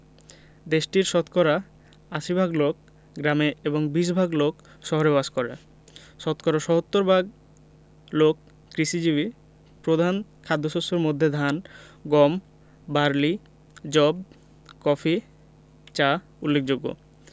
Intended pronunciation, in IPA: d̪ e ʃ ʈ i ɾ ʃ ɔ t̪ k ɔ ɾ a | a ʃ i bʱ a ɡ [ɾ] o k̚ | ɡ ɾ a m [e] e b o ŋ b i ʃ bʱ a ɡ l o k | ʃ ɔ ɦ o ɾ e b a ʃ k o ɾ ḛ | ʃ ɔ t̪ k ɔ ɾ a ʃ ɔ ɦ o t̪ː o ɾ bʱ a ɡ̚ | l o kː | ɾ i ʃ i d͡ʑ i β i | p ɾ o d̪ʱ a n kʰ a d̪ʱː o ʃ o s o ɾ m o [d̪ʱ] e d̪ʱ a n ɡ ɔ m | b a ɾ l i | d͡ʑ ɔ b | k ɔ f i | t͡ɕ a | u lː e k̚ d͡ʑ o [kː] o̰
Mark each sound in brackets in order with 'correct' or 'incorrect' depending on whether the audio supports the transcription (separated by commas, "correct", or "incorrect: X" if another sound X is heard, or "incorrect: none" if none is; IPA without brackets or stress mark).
incorrect: l, correct, incorrect: d̪ʱː, incorrect: ɡː